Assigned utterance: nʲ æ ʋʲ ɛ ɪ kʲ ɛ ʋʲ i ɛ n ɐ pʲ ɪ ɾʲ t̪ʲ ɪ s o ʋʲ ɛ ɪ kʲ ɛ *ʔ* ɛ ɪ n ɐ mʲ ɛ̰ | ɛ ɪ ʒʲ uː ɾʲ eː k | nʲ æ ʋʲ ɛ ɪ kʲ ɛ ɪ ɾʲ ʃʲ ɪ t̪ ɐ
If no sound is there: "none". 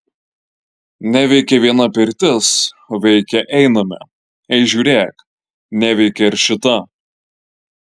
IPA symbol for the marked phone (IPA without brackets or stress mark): ʔ